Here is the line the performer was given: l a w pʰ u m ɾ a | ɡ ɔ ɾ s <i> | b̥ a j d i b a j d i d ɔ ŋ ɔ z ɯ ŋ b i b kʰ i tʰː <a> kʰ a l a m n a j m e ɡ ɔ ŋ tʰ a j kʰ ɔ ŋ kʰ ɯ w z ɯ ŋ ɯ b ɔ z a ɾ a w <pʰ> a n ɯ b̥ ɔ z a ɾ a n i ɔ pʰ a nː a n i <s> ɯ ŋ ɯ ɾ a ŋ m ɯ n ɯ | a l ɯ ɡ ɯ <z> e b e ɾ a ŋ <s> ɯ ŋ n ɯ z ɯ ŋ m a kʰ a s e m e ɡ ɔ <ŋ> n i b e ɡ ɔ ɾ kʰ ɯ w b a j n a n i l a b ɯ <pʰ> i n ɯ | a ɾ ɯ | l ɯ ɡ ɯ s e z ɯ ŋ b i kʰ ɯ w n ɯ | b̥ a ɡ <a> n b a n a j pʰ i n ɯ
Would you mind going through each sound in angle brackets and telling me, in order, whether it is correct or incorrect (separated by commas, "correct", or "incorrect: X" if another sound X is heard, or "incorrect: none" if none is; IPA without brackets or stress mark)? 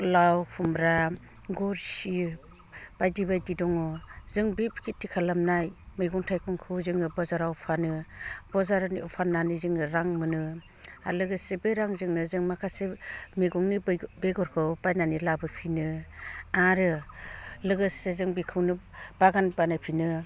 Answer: correct, incorrect: i, correct, incorrect: z, incorrect: s, incorrect: z, correct, correct, correct